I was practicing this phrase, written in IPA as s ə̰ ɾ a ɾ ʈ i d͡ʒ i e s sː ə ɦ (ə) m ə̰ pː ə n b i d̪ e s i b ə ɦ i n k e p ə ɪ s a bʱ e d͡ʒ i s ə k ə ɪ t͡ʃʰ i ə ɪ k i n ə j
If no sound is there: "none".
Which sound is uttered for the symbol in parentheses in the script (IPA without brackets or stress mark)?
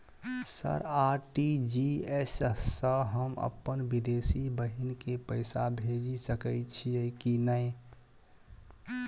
ə